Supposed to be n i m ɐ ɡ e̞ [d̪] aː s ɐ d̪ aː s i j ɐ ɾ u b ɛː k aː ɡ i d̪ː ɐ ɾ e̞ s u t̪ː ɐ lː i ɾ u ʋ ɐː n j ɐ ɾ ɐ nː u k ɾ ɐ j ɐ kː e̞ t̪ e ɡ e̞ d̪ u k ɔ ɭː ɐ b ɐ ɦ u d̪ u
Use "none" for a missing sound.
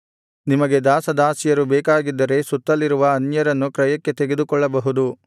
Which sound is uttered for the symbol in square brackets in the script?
d̪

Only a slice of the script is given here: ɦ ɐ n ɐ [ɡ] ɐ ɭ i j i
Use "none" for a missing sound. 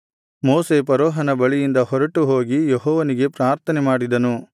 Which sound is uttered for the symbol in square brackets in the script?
b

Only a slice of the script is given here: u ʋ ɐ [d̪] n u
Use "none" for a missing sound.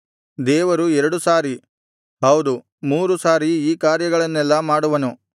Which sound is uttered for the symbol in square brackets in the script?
none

